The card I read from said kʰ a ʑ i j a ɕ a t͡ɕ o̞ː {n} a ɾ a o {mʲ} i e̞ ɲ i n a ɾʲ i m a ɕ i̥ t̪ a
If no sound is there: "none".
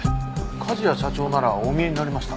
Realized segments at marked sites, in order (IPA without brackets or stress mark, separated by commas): n, mʲ